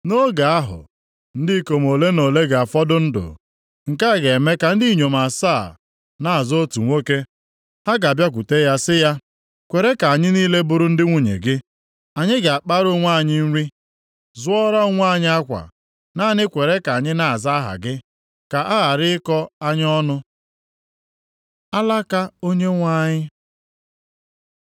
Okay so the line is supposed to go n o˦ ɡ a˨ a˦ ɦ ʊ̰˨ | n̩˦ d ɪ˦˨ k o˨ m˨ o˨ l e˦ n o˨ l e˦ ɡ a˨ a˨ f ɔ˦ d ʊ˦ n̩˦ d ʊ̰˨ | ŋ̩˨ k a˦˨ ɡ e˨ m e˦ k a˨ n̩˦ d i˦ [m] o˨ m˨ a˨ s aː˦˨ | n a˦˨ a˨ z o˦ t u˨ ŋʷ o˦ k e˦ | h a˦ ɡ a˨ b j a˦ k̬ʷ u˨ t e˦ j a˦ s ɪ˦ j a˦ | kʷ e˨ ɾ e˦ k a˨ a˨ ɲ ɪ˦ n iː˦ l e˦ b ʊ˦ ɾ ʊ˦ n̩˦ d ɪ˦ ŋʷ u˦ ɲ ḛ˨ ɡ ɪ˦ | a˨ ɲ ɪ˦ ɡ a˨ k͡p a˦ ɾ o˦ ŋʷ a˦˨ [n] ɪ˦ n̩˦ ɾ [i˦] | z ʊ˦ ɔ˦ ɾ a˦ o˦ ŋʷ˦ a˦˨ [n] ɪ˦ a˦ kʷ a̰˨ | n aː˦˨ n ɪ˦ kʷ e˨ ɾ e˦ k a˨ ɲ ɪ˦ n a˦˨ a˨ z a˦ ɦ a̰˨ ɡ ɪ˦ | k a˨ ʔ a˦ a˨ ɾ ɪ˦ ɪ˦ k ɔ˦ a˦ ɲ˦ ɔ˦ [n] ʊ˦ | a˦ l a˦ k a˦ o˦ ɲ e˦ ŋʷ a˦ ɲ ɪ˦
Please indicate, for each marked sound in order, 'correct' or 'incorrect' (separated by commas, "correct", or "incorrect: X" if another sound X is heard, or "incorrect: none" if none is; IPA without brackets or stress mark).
incorrect: ɲ, incorrect: ɲ, correct, incorrect: ɲ, correct